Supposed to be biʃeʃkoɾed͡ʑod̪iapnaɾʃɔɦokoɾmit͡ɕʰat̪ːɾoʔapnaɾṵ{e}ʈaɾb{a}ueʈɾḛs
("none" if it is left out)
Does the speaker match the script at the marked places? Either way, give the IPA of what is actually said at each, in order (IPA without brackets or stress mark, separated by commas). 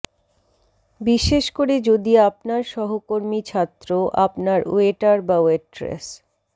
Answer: e, a